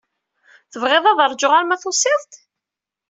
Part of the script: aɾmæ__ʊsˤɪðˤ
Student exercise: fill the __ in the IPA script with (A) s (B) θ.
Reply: B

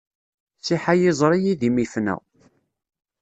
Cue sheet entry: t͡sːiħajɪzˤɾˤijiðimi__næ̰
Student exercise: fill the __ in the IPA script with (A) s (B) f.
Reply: B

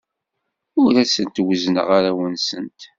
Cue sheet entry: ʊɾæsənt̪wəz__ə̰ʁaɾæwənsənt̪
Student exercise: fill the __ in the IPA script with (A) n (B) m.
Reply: A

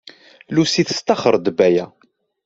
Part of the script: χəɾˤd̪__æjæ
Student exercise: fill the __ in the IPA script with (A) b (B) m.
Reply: A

